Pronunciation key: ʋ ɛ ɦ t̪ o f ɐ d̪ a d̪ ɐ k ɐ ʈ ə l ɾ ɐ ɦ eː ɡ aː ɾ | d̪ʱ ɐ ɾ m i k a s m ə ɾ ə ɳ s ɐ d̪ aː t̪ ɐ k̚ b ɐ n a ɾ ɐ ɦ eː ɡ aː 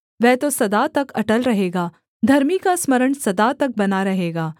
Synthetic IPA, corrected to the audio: ʋ ɛ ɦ t̪ o s ɐ d̪ a t̪ ɐ k ɐ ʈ ə l ɾ ɐ ɦ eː ɡ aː | d̪ʱ ɐ ɾ m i k a s m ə ɾ ə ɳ s ɐ d̪ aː t̪ ɐ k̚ b ɐ n a ɾ ɐ ɦ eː ɡ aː